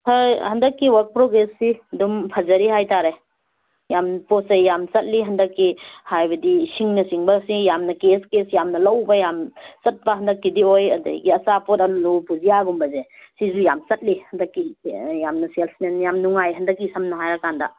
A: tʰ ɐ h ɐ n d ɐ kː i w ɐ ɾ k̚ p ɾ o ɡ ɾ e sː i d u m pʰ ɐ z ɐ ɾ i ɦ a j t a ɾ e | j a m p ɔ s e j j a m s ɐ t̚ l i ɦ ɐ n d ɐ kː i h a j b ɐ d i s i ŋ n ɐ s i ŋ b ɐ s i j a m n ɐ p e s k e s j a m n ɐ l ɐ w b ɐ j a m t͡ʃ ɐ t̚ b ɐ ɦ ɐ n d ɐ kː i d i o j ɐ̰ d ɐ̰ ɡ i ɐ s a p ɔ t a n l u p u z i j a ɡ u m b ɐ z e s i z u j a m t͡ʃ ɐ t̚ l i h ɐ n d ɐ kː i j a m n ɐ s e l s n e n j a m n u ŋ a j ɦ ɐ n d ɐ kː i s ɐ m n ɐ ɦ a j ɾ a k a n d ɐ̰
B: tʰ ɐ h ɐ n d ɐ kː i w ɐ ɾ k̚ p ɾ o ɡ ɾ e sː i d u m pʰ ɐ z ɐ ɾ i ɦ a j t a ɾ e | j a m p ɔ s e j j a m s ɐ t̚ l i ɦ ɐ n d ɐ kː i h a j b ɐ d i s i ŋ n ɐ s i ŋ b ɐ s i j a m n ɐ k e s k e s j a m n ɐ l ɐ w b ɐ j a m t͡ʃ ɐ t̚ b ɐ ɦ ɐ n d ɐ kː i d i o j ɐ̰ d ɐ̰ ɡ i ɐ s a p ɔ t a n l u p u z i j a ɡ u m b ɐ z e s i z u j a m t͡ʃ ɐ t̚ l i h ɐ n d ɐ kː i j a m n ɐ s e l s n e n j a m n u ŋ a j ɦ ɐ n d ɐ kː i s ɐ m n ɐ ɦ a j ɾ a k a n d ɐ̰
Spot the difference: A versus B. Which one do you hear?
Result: B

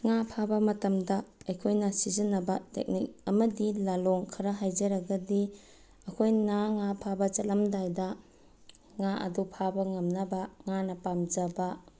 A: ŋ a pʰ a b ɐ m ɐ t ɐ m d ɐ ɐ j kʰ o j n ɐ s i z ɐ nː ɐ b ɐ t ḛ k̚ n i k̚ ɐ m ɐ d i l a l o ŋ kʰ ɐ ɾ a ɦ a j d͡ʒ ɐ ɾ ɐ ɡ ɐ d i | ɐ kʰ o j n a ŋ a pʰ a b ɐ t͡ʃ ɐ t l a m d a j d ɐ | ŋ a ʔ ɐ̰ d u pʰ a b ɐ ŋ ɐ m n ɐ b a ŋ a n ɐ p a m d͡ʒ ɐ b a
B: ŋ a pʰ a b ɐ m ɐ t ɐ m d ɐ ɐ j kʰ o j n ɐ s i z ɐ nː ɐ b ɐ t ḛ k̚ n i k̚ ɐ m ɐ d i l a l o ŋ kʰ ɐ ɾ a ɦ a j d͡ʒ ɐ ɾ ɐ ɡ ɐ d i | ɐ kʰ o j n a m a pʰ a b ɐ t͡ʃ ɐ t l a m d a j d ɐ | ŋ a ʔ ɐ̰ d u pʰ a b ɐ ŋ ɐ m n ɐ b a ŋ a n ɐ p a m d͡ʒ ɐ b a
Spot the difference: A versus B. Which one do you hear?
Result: A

